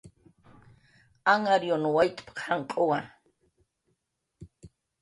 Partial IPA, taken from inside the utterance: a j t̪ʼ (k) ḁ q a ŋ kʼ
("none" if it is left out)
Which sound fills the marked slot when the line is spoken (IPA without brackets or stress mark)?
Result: p